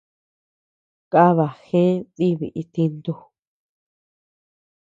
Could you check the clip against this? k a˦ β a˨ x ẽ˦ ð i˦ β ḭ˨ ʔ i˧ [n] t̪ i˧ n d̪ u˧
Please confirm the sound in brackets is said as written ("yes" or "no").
no